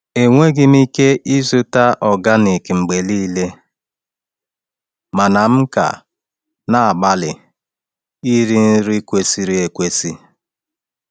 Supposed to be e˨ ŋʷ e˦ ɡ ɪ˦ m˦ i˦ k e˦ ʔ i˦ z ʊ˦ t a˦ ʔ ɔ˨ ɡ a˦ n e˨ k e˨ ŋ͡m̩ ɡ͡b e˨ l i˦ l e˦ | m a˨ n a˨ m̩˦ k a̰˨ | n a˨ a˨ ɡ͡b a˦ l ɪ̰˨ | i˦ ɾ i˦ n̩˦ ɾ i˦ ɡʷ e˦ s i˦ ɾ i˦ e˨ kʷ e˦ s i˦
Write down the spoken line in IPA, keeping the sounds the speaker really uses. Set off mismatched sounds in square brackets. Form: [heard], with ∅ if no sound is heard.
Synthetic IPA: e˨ ŋʷ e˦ ɡ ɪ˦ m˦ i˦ k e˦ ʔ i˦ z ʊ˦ t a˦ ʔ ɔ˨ ɡ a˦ n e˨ k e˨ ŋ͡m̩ ɡ͡b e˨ l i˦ l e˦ | m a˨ n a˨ m̩˦ k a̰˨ | n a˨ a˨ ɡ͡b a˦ l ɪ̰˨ | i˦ ɾ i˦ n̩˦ ɾ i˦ [kʷ] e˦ s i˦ ɾ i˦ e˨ kʷ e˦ s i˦